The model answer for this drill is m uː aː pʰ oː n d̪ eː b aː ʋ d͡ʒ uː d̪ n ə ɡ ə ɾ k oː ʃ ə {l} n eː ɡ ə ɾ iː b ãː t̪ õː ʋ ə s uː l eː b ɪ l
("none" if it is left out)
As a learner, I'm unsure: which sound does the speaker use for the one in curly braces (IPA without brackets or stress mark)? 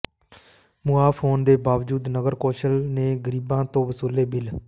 l